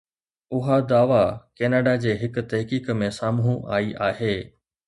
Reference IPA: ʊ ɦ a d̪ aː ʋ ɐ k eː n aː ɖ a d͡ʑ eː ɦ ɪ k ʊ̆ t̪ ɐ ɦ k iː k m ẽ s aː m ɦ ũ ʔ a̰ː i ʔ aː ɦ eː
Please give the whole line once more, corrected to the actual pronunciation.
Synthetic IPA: ʊ ɦ a d̪ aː ʋ a k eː n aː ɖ a d͡ʑ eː ɦ ɪ k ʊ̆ t̪ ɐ ɦ k iː k m ẽ s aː m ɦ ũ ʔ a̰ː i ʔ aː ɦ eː